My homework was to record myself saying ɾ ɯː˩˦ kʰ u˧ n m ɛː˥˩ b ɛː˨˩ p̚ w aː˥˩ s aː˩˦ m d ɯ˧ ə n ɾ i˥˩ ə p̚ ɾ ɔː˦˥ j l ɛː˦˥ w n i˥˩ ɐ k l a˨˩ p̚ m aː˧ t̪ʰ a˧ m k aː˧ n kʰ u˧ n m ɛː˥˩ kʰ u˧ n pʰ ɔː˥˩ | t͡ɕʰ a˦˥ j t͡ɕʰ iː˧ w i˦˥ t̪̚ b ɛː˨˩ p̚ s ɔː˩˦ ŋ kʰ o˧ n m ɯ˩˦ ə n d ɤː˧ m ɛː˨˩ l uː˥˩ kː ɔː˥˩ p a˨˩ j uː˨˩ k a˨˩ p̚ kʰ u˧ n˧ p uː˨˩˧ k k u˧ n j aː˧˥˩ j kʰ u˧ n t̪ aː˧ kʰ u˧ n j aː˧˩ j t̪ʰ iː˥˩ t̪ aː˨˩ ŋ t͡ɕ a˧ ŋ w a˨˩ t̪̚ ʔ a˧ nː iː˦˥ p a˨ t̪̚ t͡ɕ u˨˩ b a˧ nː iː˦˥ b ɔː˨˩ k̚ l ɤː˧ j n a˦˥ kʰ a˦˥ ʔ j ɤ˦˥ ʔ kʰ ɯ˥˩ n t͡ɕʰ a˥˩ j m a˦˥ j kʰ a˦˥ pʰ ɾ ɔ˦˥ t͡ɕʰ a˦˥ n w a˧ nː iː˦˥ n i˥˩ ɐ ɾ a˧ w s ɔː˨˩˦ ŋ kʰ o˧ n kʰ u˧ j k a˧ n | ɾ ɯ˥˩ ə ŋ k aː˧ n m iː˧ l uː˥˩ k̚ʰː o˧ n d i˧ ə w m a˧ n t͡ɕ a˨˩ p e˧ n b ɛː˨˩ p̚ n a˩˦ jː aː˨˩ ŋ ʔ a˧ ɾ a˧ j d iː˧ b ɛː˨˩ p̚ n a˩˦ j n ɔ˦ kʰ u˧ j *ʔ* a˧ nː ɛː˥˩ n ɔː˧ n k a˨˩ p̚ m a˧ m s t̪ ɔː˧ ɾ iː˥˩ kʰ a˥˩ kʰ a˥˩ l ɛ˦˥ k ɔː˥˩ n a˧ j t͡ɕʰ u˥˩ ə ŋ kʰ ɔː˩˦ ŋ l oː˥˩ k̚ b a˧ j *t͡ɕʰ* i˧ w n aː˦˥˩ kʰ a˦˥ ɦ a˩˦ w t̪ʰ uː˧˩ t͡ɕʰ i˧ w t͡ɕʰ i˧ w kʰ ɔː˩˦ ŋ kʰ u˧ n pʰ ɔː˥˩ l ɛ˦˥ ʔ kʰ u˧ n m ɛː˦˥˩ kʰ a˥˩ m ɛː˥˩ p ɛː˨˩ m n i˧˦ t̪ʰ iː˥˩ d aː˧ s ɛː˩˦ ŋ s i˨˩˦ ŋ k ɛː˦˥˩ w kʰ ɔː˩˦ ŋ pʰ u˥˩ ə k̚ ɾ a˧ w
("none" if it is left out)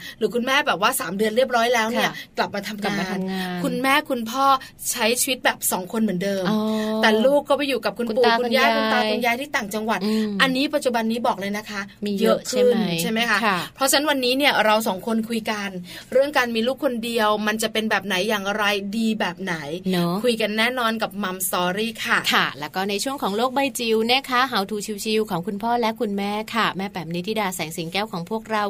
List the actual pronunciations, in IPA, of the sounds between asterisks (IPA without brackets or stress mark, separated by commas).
k, t͡ɕ